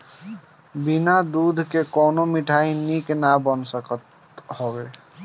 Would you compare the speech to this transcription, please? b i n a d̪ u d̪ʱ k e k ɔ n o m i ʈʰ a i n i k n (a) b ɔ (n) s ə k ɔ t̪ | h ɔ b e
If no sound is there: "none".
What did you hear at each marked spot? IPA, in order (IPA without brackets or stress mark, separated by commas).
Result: a, n